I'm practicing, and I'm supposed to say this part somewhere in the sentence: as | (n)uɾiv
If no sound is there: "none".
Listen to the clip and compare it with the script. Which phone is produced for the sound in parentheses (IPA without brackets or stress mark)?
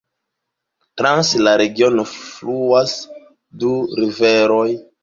d